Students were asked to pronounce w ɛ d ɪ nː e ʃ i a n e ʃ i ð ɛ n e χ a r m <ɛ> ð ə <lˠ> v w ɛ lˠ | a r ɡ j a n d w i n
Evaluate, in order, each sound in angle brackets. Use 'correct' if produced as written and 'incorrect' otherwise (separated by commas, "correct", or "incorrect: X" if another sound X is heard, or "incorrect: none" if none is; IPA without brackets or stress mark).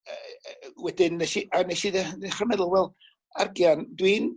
correct, correct